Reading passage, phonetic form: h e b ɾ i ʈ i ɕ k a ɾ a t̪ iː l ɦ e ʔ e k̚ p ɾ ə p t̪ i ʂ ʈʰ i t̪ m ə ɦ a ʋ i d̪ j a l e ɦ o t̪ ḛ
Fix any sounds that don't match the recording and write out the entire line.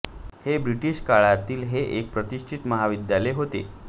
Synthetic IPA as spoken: h e b ɾ i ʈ i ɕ k a ɭ a t̪ iː l ɦ e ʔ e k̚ p ɾ ə t̪ i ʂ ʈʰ i t̪ m ə ɦ a ʋ i d̪ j a l e ɦ o t̪ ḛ

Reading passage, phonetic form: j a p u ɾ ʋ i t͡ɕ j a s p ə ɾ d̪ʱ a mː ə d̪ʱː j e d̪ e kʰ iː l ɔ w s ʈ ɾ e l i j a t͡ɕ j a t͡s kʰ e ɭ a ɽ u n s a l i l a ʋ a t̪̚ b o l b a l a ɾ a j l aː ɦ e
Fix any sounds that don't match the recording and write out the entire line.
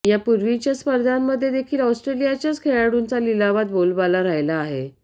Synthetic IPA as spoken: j a p u ɾ ʋ i t͡ɕ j a s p ə ɾ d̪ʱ a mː ə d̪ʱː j e d̪ e kʰ iː l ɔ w s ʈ ɾ e l i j a t͡ɕ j a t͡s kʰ e ɭ a ɽ u n t͡s a l i l a ʋ a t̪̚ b o l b a l a ɾ a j l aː ɦ e

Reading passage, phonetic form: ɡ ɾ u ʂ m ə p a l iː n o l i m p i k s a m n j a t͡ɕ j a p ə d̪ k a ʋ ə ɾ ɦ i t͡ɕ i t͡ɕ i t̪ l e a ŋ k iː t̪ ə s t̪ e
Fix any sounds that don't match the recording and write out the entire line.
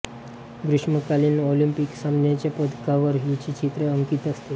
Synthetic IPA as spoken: ɡ ɾ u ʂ m ə k a l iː n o l i m p i k s a m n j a t͡ɕ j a p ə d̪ k a ʋ ə ɾ ɦ i t͡ɕ i t͡ɕ i t̪ ɾ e ə ŋ k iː t̪ ə s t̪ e

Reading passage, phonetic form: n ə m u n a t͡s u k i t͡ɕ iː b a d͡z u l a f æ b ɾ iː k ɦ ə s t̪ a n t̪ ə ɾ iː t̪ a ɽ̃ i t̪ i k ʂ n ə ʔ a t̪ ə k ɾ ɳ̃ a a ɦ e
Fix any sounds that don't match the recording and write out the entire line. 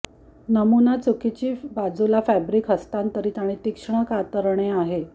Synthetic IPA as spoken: n ə m u n a t͡s u k i t͡ɕ iː b a d͡z u l a f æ b ɾ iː k ɦ ə s t̪ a n t̪ ə ɾ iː t̪ a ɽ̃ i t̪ i k ʂ ɳ ə k a t̪ ə ɾ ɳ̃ e a ɦ e

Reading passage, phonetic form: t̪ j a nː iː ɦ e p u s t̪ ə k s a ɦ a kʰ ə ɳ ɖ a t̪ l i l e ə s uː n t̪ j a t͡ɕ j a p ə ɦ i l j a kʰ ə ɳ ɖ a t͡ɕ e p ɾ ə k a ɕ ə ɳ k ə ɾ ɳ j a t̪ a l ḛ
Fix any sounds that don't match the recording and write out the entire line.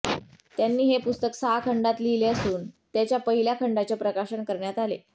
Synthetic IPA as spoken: t̪ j a nː iː ɦ e p u s t̪ ə k s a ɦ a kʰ ə ɳ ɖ a t̪ l i l e ə s uː n t̪ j a t͡ɕ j a p ə ɦ i l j a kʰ ə ɳ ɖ a t͡ɕ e p ɾ ə k a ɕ ə ɳ k ə ɾ ɳ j a t̪ a l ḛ

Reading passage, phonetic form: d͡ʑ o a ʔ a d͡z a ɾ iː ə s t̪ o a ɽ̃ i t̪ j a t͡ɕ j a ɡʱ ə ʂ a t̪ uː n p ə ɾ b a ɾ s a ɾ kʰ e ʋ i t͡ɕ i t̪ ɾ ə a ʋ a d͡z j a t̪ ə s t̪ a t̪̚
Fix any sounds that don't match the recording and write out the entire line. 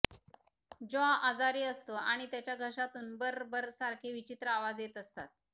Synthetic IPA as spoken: d͡ʑ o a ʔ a d͡z a ɾ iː ə s t̪ o a ɽ̃ i t̪ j a t͡ɕ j a ɡʱ ə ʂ a t̪ uː n b ə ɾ b ə ɾ s a ɾ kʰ e ʋ i t͡ɕ i t̪ ɾ ə a ʋ a d͡z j e t̪ ə s t̪ a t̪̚

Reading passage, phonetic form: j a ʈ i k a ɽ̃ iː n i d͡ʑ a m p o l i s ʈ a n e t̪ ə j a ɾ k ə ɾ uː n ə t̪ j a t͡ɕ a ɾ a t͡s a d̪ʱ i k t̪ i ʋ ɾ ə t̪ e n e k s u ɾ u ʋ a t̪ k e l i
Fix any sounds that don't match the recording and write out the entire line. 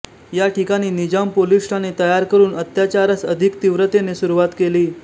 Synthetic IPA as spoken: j a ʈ i k a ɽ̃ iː n i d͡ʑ a m p o l i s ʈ a n e t̪ ə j a ɾ k ə ɾ uː n ə t̪ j a t͡ɕ a ɾ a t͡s ə d̪ʱ i k t̪ i ʋ ɾ ə t̪ e n e s u ɾ u ʋ a t̪ k e l iː

